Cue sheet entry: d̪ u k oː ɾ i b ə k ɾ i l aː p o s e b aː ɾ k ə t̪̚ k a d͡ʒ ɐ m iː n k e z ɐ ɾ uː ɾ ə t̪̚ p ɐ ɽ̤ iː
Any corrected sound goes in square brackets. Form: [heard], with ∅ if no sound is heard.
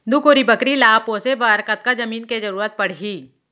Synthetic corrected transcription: d̪ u k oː ɾ i b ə k ɾ i l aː p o s e b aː ɾ k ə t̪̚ k a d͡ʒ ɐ m iː n k e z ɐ ɾ uː ɾ ə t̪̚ p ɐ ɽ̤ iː